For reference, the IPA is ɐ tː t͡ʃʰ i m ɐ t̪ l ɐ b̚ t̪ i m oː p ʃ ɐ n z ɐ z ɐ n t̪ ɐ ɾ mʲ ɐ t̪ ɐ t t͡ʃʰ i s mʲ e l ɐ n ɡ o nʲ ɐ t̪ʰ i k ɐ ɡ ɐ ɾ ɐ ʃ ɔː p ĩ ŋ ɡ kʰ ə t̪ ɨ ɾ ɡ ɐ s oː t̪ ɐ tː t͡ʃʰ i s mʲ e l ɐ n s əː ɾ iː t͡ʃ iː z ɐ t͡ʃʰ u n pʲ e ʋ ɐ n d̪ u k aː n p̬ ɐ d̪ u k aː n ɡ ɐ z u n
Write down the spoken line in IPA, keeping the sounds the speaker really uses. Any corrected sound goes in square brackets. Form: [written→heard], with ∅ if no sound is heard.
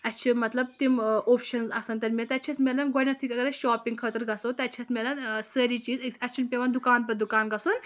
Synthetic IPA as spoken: ɐ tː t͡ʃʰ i m ɐ t̪ l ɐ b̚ t̪ i m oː p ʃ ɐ n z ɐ [z→s] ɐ n t̪ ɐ ɾ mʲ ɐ t̪ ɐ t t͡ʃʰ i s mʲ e l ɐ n ɡ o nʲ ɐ t̪ʰ i k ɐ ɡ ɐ ɾ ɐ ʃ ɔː p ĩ ŋ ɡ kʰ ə t̪ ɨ ɾ ɡ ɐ s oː t̪ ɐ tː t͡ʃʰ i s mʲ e l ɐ n s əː ɾ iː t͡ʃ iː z ɐ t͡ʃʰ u n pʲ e ʋ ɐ n d̪ u k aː n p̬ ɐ d̪ u k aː n ɡ ɐ [z→s] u n